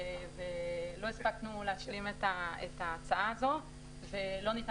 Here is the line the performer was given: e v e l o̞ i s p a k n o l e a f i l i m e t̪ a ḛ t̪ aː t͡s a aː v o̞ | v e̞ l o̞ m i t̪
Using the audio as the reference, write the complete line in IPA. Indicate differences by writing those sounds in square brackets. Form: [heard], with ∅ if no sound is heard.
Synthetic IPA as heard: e v e l o̞ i s p a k n [u] l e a [ʃ] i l i m e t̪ a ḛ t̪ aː t͡s a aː [z] o̞ | v e̞ l o̞ [n] i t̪